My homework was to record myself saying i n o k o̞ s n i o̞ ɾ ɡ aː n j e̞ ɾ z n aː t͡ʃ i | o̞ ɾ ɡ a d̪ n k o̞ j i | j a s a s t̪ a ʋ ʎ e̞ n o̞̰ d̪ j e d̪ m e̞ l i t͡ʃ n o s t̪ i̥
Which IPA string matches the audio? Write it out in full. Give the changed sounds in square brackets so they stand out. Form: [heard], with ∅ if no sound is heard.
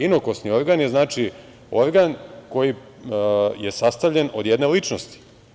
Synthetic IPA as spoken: i n o k o̞ s n i o̞ ɾ ɡ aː n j e̞ [∅] z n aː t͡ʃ i | o̞ ɾ ɡ a [∅] n k o̞ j i | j [e] s a s t̪ a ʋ ʎ e̞ n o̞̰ d̪ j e d̪ [n] e̞ l i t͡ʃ n o s t̪ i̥